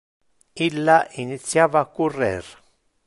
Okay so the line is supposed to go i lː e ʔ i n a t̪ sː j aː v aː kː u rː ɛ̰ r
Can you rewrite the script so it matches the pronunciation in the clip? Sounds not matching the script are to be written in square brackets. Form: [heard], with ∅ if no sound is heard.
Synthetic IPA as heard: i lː [a] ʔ i n [i] t̪ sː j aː v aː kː u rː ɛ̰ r